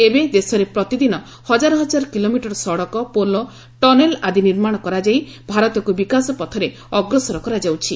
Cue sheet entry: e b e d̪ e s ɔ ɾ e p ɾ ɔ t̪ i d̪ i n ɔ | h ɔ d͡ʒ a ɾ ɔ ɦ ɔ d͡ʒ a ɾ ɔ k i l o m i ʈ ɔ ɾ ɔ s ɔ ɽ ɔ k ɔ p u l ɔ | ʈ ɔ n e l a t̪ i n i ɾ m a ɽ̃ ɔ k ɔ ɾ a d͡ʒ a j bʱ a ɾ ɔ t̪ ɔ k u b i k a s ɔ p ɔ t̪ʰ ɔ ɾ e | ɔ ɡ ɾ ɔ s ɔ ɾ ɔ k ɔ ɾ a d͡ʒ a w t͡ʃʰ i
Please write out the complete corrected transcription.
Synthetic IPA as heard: e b e d̪ e s ɔ ɾ e p ɾ ɔ t̪ i d̪ i n ɔ | h ɔ d͡ʒ a ɾ ɔ ɦ ɔ d͡ʒ a ɾ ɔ k i l o m i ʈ ɔ ɾ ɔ s ɔ ɽ ɔ k ɔ p o l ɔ | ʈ ɔ n e l a d̪ i n i ɾ m a ɽ̃ ɔ k ɔ ɾ a d͡ʒ a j bʱ a ɾ ɔ t̪ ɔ k u b i k a s ɔ p ɔ t̪ʰ ɔ ɾ e | ɔ ɡ ɾ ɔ s ɔ ɾ ɔ k ɔ ɾ a d͡ʒ a w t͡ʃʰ i